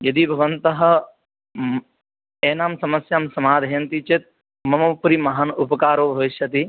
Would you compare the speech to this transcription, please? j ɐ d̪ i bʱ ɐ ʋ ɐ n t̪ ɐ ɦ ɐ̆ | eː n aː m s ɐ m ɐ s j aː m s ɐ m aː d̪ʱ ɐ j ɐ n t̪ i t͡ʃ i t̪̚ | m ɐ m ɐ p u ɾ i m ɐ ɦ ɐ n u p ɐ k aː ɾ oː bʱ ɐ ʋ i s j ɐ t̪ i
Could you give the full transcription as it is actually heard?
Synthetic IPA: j ɐ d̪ i bʱ ɐ ʋ ɐ n t̪ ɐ ɦ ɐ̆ | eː n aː m s ɐ m ɐ s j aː m s ɐ m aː d̪ʱ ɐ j ɐ n t̪ i t͡ʃ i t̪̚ | m ɐ m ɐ p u ɾ i m ɐ ɦ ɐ n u p ɐ k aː ɾ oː bʱ ɐ ʋ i ʃ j ɐ t̪ i